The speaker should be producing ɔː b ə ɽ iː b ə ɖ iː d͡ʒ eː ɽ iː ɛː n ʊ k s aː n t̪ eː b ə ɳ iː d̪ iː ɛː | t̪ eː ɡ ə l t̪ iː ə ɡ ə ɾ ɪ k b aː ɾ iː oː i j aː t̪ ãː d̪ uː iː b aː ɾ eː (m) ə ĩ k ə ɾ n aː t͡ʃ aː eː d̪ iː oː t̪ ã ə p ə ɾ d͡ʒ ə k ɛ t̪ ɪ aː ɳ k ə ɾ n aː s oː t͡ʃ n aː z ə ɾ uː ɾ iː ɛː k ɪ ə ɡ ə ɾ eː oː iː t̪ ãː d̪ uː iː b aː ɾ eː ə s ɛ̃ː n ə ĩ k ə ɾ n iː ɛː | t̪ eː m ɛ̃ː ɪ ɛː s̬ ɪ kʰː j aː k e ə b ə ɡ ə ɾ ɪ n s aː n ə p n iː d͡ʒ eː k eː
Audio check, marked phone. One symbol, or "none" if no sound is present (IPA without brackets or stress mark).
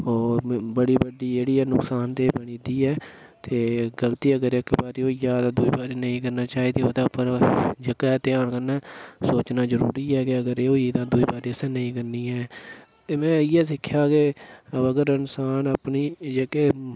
n